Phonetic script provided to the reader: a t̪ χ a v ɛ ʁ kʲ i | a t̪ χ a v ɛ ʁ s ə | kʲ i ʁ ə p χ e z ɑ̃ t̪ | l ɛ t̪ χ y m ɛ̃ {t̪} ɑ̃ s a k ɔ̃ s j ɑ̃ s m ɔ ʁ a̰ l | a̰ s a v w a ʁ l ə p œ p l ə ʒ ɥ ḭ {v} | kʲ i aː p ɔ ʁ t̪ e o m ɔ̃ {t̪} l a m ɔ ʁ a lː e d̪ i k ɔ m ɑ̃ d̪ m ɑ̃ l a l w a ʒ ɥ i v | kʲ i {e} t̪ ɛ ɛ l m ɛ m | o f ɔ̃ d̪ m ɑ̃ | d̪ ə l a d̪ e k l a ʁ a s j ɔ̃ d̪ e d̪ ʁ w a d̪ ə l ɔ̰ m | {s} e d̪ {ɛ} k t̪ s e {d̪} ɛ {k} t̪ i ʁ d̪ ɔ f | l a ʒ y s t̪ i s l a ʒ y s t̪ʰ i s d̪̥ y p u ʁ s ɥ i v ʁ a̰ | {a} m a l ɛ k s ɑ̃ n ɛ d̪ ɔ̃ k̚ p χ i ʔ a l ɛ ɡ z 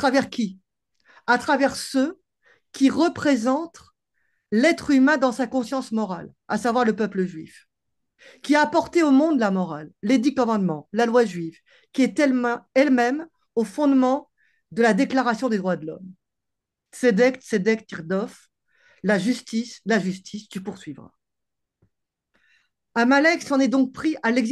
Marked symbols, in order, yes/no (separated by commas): no, no, no, no, yes, yes, yes, yes, yes